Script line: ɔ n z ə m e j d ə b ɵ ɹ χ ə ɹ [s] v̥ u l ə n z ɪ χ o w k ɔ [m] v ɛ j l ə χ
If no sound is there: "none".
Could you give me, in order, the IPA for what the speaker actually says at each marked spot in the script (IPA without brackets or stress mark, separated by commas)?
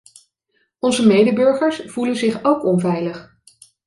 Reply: s, n